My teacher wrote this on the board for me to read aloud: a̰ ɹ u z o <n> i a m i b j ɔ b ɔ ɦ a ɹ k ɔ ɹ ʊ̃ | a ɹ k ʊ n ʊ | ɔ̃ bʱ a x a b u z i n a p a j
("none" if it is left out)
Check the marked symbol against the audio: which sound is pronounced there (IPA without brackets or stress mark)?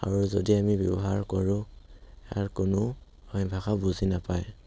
d